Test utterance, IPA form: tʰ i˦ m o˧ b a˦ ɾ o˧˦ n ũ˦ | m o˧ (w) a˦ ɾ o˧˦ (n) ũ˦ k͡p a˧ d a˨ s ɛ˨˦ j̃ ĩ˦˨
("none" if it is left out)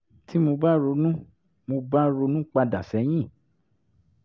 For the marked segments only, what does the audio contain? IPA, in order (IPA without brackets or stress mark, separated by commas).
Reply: b, n